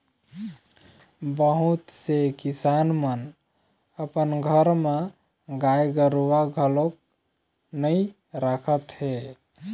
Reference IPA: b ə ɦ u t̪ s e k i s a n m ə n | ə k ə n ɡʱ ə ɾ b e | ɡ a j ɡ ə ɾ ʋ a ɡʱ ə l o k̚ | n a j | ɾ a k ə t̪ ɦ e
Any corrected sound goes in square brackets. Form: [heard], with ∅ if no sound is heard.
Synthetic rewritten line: b ə ɦ u t̪ s e k i s a n m ə n | ə [p] ə n ɡʱ ə ɾ [m] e | ɡ a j ɡ ə ɾ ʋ a ɡʱ ə l o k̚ | n [ə] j | ɾ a [kʰ] ə t̪ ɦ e

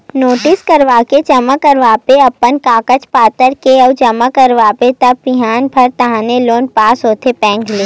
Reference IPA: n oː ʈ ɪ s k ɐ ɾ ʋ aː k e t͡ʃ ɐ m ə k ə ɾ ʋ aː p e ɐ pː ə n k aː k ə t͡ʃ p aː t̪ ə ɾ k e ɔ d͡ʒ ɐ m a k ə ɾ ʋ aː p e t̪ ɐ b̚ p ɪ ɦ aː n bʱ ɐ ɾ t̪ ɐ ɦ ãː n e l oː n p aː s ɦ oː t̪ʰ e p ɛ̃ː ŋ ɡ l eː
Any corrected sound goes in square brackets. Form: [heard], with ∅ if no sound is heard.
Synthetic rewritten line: n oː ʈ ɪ s k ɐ ɾ ʋ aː k e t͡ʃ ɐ m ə k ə ɾ ʋ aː p e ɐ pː ə n k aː k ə t͡ʃ p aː t̪ ə ɾ k e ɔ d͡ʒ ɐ m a k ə ɾ ʋ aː p e t̪ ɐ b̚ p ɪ ɦ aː n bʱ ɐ ɾ t̪ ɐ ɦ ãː n e l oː n p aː s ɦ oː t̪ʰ e p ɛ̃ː ŋ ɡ l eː

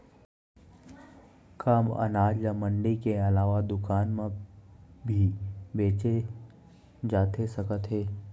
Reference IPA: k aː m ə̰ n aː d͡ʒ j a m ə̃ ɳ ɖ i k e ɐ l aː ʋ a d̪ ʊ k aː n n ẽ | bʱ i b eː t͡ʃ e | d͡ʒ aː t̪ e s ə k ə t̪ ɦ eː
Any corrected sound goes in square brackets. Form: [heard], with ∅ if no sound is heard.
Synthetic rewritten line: k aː m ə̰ n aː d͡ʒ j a m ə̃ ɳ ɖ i k e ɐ l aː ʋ a d̪ ʊ k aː n [m] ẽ | bʱ i b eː t͡ʃ e | d͡ʒ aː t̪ e s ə k ə t̪ ɦ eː

